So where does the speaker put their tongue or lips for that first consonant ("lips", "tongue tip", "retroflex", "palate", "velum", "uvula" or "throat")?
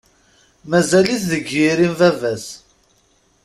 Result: lips